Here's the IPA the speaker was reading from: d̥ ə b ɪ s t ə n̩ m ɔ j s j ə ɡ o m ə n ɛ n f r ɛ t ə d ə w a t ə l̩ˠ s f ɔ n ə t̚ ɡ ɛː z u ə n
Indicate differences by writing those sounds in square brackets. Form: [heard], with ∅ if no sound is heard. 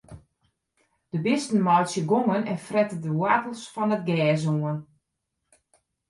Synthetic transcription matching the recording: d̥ ə b ɪ s t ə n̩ m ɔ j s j ə ɡ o [ŋ] ə n ɛ n f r ɛ t ə d ə w a t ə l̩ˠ s f ɔ n ə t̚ ɡ ɛː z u ə n